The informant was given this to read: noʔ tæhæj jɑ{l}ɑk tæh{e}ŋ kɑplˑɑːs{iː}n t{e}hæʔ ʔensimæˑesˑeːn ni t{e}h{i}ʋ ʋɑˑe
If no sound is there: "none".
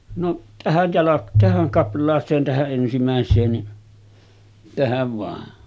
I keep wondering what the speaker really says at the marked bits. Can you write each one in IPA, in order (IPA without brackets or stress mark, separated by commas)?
l, æ, eː, æ, æ, æ